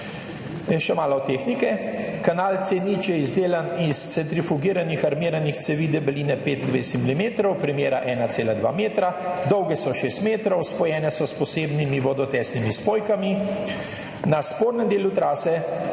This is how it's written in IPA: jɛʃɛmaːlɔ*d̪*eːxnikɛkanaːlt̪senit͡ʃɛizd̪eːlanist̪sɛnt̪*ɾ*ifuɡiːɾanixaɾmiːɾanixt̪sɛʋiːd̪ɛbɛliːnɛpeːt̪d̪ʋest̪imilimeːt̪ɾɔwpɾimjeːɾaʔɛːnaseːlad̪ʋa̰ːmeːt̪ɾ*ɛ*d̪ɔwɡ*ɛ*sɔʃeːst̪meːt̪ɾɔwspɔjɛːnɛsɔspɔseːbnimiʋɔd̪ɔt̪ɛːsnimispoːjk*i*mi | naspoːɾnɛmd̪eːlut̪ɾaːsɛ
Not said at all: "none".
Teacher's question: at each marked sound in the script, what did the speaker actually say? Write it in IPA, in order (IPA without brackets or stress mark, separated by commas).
t̪, ɾ, a, ɛ, a